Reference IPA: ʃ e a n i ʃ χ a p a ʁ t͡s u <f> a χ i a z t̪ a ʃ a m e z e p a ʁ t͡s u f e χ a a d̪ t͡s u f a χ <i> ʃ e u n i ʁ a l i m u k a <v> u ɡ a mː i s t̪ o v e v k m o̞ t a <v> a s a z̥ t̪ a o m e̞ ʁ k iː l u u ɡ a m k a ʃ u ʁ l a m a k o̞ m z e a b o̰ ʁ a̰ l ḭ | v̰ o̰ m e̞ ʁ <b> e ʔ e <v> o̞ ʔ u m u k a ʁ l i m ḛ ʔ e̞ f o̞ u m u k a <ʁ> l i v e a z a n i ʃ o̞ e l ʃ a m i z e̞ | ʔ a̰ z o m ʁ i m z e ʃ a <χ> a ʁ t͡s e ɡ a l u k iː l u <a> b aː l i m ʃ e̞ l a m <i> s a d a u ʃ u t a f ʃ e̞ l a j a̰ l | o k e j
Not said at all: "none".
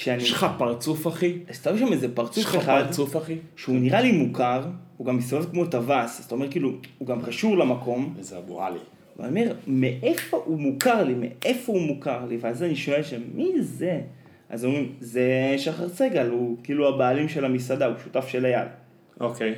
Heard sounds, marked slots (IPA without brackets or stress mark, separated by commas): f, i, ʁ, v, m, f, ʁ, χ, a, i